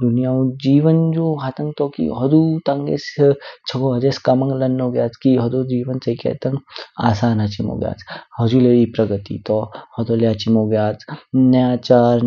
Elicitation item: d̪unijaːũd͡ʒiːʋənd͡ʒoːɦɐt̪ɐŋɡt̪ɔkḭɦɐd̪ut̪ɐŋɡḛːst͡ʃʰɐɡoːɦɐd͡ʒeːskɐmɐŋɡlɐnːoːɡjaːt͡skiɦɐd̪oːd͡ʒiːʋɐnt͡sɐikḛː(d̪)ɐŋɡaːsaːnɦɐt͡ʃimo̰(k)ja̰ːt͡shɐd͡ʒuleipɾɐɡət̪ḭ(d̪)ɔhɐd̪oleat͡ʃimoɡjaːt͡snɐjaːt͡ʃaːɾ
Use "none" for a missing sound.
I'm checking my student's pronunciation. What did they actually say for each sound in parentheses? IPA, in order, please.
t̪, ɡ, t̪

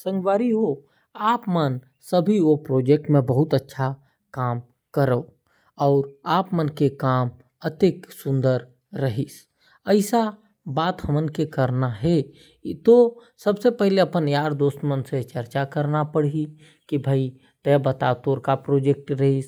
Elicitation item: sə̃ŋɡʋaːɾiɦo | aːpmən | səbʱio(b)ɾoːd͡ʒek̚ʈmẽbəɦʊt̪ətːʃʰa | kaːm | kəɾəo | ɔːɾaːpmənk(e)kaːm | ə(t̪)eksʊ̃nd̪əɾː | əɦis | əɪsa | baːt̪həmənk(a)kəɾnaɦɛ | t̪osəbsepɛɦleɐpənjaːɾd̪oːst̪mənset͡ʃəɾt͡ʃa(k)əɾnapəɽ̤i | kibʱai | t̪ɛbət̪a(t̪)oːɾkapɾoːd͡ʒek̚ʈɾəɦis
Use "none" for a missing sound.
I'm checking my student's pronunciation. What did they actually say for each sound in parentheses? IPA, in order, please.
p, e, t̪, e, k, t̪

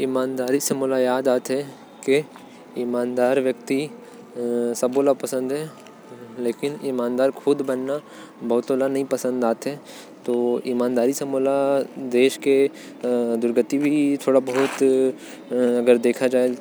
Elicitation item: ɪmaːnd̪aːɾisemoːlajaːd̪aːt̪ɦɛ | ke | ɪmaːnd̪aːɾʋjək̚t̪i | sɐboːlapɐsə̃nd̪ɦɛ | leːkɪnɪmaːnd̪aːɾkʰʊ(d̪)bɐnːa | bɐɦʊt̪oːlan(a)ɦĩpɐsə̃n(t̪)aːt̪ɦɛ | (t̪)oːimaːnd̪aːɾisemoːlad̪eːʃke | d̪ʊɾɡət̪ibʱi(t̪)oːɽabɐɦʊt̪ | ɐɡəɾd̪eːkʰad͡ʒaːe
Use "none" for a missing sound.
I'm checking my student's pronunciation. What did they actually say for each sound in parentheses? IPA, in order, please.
d̪, ɐ, d̪, t̪, t̪ʰ

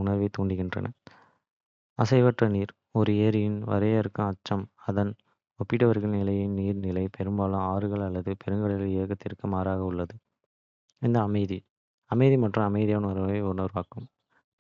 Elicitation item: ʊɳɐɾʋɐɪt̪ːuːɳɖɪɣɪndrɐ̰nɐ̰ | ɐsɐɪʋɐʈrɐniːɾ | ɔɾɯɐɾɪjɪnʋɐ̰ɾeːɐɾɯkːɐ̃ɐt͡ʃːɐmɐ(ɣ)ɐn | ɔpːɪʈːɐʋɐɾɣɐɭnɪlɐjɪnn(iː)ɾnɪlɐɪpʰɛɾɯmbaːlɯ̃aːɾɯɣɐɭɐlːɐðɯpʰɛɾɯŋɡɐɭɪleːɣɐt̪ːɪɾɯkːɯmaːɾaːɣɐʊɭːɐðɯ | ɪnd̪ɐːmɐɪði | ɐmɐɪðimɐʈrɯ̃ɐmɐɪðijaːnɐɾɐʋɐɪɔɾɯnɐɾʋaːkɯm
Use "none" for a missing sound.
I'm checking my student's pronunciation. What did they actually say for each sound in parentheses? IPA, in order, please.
ð, iː

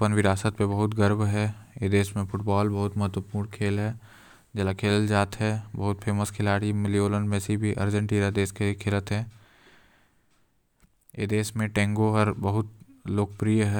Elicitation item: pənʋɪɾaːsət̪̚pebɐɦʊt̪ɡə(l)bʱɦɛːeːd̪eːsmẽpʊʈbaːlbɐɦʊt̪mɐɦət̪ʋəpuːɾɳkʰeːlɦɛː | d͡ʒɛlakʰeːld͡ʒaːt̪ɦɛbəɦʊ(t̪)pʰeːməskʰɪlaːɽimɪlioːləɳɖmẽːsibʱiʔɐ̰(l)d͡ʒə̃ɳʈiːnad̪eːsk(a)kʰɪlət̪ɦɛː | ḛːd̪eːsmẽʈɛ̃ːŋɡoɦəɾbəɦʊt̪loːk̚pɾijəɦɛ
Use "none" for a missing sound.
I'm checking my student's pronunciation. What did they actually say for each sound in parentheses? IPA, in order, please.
ɾ, t̪, ɾ, e

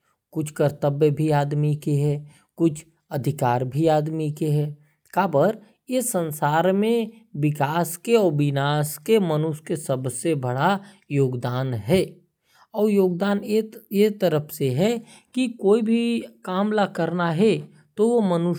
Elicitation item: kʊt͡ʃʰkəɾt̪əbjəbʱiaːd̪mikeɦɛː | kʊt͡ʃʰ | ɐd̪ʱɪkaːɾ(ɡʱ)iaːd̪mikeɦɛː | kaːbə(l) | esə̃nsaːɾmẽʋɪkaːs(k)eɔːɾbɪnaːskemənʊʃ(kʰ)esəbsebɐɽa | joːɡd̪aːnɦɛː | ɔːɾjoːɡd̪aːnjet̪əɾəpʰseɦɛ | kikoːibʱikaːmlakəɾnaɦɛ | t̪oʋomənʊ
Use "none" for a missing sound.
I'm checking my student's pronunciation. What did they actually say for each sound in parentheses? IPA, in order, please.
bʱ, ɾ, k, k

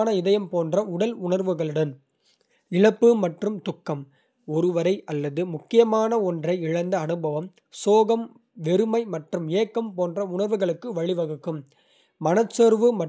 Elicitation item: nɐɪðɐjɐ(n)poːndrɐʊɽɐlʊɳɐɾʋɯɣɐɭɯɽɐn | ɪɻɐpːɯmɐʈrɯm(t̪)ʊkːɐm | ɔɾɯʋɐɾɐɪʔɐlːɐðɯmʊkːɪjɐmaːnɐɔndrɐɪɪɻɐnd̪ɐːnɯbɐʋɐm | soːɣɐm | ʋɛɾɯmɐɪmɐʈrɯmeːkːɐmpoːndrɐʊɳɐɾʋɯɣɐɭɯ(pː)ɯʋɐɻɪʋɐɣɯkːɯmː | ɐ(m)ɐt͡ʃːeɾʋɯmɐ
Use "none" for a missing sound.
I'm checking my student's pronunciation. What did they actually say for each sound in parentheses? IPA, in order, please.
m, t̪, kː, n

